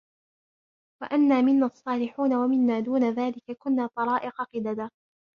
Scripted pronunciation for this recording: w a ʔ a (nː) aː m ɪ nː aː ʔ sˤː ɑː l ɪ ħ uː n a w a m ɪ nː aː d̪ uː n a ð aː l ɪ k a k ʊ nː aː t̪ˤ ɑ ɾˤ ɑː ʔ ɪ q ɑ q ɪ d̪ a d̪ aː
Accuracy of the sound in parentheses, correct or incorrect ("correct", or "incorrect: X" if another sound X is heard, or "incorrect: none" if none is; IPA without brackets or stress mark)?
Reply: correct